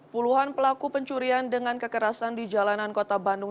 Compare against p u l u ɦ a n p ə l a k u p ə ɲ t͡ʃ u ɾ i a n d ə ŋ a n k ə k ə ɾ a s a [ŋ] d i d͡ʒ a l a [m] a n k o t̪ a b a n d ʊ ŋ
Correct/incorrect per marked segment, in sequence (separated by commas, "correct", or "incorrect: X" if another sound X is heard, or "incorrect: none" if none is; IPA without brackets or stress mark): incorrect: n, incorrect: n